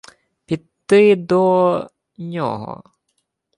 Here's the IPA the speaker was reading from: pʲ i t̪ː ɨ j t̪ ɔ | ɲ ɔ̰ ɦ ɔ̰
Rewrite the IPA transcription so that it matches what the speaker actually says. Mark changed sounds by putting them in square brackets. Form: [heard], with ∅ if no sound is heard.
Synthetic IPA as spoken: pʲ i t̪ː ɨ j [d̪] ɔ | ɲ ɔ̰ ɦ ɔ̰